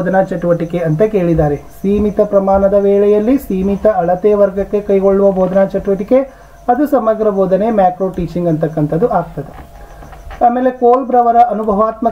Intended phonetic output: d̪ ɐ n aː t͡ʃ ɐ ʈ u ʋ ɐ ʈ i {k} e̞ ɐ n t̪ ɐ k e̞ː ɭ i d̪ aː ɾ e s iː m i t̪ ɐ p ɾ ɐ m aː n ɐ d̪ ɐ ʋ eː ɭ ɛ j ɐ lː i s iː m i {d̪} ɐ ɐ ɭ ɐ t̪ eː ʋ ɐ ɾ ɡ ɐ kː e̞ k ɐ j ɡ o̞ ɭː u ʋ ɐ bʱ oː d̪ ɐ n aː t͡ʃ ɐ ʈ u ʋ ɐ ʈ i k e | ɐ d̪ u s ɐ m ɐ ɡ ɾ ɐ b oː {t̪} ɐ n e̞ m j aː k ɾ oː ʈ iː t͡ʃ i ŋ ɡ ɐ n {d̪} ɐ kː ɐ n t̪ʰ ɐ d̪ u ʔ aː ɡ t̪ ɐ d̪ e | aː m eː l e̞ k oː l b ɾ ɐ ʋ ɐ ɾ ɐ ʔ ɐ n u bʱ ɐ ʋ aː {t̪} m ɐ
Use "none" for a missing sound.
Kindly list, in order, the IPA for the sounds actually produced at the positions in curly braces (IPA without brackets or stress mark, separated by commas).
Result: k, t̪, d̪, t̪, t̪